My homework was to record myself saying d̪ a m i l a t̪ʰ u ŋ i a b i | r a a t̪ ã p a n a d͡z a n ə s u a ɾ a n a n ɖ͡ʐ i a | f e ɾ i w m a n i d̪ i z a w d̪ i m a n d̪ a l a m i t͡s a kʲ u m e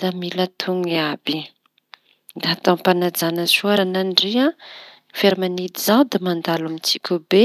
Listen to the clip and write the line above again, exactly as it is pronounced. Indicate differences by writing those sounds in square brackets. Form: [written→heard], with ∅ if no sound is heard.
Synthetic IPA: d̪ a m i l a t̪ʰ u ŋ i a b i | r a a t̪ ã p a n a d͡z a n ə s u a ɾ a n a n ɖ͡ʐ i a | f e ɾ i [w→∅] m a n i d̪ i z a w d̪ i m a n d̪ a l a m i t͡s [a→i] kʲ u [m→b] e